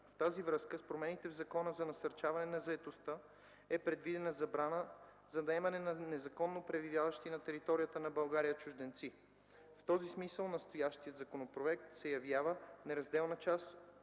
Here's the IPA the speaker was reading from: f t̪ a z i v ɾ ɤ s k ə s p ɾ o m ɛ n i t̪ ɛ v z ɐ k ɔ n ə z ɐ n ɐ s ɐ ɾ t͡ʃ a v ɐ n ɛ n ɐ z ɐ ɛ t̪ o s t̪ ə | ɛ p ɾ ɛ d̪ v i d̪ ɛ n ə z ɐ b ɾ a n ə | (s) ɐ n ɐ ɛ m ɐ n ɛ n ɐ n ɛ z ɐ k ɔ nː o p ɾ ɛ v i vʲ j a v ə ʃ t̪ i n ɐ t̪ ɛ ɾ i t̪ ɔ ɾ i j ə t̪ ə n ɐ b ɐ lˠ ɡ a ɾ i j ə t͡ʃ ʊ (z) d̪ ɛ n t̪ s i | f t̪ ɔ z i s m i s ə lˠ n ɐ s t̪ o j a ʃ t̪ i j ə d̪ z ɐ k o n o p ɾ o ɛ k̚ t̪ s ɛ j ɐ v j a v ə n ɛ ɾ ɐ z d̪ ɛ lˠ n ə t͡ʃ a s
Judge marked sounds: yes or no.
no, no

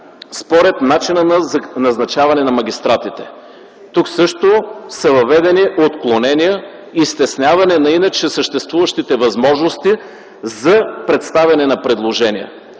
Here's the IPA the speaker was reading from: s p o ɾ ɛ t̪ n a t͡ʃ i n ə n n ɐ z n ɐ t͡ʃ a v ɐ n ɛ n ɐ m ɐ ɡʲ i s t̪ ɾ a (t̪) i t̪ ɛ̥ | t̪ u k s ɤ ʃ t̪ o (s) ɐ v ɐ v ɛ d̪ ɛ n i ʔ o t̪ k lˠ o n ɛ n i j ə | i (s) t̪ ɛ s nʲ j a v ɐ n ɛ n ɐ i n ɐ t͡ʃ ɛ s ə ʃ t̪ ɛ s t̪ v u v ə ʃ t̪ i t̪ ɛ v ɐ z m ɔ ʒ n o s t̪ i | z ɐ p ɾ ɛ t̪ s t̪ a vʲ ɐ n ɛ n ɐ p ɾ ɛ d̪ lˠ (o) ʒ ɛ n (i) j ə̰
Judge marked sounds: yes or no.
yes, yes, yes, yes, yes

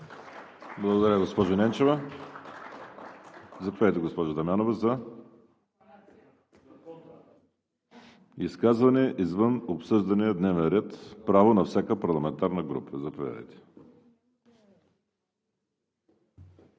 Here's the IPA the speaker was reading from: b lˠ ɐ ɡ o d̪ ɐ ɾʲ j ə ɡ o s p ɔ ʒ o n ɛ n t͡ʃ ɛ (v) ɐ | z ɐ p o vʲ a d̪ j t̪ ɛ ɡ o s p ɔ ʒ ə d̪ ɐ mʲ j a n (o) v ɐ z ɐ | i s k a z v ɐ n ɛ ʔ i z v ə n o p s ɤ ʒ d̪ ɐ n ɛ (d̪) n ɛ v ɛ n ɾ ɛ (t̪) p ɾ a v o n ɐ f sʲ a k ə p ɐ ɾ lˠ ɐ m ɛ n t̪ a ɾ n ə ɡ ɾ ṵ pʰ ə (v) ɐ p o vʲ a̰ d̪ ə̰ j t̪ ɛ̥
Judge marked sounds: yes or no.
yes, yes, yes, yes, no

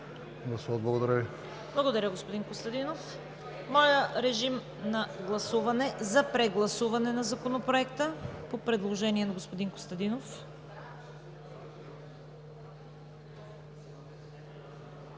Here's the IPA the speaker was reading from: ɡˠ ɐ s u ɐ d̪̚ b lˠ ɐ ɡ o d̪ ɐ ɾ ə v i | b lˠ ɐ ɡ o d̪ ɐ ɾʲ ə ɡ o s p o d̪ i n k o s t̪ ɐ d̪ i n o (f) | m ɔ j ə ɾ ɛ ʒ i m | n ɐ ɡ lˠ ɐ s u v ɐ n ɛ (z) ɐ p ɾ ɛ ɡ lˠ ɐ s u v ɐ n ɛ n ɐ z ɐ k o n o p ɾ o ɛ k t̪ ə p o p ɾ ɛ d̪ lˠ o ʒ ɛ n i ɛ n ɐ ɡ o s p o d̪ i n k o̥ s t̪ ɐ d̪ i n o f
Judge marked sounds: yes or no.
yes, yes

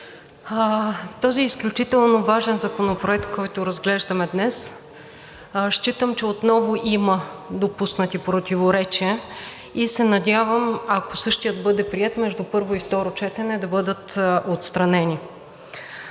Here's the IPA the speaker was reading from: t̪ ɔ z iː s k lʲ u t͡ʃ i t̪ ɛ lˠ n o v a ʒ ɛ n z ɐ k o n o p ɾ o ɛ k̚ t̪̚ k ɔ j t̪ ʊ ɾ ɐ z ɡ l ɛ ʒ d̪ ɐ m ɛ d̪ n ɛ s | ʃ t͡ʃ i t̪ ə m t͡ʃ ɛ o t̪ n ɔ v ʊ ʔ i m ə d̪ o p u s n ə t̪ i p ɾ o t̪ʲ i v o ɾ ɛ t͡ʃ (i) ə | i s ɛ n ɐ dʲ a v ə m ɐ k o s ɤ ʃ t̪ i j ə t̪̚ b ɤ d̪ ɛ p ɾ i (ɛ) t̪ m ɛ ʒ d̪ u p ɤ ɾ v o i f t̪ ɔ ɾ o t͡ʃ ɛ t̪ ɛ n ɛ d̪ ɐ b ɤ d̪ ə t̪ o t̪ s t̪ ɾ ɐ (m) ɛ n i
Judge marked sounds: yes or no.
yes, yes, no

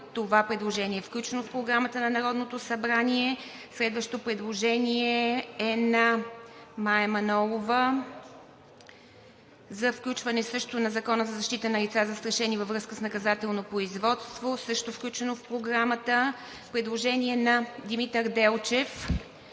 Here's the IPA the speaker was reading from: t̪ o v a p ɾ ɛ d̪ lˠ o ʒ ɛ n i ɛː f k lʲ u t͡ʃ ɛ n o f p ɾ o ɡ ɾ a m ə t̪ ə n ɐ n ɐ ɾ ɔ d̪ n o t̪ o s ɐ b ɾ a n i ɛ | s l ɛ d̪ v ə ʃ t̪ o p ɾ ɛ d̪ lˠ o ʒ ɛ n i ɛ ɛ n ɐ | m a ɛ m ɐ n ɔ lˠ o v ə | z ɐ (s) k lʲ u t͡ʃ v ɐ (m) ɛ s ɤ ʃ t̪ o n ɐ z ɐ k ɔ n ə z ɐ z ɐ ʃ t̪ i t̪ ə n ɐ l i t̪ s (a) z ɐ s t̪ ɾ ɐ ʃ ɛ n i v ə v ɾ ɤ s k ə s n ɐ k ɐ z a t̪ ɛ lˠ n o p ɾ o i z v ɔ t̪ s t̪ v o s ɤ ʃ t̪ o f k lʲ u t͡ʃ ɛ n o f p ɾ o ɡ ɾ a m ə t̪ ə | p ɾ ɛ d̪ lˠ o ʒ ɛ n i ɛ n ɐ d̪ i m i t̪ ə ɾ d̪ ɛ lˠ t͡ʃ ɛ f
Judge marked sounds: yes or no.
no, no, yes

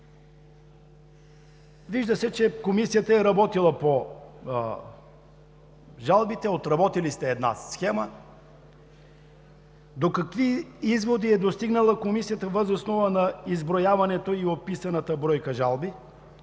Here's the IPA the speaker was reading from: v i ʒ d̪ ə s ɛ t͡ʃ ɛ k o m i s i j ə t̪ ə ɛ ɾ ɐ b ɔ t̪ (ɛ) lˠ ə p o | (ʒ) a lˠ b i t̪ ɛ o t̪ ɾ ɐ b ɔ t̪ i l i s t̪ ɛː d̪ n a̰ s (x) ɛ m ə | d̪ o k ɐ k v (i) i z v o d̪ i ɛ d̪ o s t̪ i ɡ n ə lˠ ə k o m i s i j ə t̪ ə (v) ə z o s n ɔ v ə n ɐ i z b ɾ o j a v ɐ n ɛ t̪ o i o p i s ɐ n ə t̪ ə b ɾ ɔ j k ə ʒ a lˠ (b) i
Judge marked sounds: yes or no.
no, yes, yes, yes, yes, yes

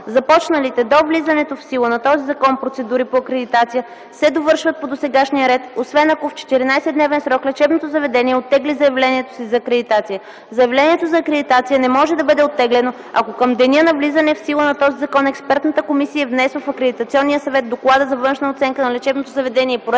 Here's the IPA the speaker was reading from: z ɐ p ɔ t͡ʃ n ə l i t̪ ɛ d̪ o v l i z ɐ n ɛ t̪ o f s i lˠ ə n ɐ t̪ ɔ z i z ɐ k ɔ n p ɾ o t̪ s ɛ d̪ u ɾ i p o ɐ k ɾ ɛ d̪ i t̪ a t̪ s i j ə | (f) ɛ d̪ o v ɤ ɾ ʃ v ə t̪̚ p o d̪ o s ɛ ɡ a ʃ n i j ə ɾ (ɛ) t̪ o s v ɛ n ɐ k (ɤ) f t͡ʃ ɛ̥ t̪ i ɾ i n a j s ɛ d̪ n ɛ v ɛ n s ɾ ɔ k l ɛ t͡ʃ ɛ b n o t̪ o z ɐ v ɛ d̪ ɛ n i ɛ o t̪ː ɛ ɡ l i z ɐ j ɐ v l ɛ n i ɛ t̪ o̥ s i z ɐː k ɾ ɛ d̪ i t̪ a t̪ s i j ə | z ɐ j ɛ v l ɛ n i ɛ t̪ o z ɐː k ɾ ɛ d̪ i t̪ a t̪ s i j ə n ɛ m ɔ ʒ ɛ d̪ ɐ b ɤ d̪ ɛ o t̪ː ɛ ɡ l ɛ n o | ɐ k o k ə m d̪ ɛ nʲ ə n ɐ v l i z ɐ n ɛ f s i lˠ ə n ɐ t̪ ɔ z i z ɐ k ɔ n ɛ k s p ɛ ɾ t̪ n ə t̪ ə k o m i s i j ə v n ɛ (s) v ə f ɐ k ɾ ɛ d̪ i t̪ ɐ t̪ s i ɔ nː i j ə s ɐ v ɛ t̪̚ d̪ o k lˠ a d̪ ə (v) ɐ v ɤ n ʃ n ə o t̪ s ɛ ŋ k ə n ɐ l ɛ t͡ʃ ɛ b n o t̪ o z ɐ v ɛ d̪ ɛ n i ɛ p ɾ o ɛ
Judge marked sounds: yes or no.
no, yes, no, yes, no

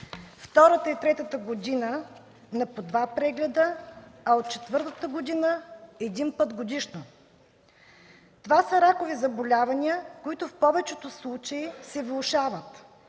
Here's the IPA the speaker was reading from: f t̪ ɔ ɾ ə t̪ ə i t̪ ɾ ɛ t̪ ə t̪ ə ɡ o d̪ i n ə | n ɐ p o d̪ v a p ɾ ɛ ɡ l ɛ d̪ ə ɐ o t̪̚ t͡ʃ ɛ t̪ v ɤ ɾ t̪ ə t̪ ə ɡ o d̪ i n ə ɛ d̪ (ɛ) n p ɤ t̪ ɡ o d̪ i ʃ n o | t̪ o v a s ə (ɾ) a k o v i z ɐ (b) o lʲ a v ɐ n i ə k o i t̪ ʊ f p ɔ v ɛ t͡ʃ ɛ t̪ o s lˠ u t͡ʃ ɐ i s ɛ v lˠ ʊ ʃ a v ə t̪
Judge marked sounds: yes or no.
no, yes, yes

